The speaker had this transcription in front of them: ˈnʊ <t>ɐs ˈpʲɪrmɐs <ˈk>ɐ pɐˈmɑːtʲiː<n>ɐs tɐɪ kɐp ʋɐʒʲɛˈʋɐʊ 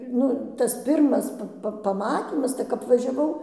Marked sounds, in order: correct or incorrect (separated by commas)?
correct, incorrect, incorrect